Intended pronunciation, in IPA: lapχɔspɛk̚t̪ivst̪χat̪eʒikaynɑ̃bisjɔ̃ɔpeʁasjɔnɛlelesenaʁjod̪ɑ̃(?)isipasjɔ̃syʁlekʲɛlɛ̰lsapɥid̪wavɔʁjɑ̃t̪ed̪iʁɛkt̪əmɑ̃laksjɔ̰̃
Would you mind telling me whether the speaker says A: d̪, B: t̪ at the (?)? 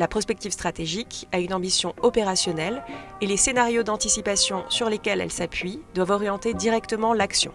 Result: B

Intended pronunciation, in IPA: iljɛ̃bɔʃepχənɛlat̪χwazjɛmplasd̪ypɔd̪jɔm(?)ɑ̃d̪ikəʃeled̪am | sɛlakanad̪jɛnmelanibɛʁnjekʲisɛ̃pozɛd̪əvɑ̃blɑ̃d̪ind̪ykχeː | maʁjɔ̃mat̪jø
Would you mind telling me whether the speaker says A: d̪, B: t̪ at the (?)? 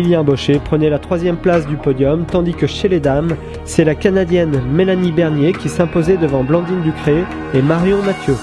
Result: B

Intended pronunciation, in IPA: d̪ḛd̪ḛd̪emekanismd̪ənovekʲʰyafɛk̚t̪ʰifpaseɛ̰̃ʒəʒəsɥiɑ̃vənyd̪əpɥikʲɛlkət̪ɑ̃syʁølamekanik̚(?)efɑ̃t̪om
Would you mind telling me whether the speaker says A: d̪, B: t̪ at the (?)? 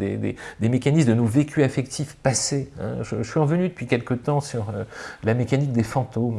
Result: A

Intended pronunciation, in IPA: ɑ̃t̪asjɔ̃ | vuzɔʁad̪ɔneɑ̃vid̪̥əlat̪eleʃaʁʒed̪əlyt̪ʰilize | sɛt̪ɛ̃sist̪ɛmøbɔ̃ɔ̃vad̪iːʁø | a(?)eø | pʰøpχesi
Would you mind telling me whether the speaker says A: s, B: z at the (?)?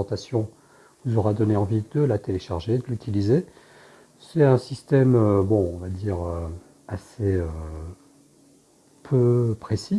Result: A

